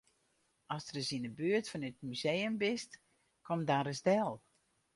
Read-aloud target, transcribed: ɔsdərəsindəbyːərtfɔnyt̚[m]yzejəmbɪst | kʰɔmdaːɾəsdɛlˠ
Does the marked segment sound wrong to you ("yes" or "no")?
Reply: no